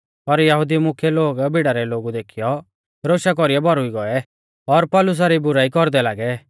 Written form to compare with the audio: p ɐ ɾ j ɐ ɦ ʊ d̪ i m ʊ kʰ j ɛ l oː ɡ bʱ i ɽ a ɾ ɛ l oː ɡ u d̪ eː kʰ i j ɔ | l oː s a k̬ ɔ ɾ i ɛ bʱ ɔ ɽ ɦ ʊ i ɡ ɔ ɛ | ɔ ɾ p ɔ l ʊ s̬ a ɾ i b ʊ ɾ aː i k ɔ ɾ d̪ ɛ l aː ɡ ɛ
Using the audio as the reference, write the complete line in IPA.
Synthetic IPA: p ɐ ɾ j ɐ ɦ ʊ d̪ i m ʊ kʰ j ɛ l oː ɡ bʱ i ɽ a ɾ ɛ l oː ɡ u d̪ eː kʰ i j ɔ | ɾ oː ʃ a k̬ ɔ ɾ i ɛ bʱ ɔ ɾ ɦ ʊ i ɡ ɔ ɛ | ɔ ɾ p ɔ l ʊ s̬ a ɾ i b ʊ ɾ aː i k ɔ ɾ d̪ ɛ l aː ɡ ɛ